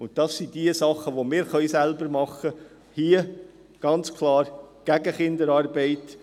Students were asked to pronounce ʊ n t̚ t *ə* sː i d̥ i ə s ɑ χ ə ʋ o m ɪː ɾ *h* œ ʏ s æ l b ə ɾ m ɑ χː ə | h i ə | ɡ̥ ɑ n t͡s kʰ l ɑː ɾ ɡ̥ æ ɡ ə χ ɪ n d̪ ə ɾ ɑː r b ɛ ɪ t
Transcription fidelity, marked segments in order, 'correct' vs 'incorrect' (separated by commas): incorrect, incorrect